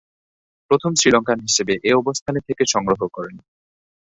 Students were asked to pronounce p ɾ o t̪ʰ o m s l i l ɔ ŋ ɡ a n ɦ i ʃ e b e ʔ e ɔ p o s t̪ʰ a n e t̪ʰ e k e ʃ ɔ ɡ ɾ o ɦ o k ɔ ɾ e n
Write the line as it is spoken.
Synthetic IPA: p ɾ o t̪ʰ o m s ɾ i l ɔ ŋ k a n ɦ i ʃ e b e ʔ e ɔ b o s t̪ʰ a n e t̪ʰ e k e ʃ ɔ ŋ ɾ o ɦ o k ɔ ɾ e n